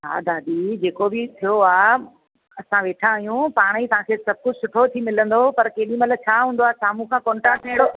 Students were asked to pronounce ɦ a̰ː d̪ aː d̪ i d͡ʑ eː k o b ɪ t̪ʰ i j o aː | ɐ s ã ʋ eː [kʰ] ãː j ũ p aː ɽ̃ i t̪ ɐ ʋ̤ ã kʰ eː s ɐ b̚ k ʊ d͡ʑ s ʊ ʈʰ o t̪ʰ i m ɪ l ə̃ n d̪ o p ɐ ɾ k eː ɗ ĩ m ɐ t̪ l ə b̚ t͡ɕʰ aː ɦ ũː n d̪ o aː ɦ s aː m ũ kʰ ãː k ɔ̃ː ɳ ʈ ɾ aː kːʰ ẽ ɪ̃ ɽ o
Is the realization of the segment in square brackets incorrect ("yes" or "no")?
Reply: yes